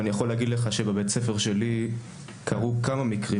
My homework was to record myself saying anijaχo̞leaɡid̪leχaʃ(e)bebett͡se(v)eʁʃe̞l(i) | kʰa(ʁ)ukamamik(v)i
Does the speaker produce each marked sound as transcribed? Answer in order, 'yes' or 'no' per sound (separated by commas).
yes, no, yes, yes, no